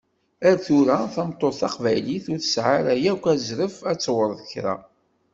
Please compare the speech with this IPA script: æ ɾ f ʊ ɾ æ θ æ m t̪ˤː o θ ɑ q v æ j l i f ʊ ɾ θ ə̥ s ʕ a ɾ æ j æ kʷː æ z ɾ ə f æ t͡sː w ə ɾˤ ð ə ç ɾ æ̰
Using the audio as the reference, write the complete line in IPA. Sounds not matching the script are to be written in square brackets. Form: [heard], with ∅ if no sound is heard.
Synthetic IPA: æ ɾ [θ] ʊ ɾ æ θ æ m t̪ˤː o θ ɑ q v æ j l i [θ] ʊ ɾ θ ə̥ s ʕ a ɾ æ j æ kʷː æ z ɾ ə f æ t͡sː w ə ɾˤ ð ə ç ɾ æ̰